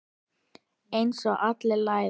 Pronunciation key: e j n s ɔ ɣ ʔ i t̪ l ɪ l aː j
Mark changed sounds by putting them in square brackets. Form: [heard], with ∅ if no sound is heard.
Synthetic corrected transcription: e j n s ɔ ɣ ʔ [a] t̪ l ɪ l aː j